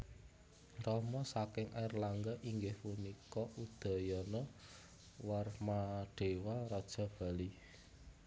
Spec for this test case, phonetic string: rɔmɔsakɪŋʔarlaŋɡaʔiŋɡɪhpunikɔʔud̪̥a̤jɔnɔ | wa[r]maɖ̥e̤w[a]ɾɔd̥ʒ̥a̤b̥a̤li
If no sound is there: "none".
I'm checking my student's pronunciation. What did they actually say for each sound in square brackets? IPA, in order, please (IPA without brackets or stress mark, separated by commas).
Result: r, a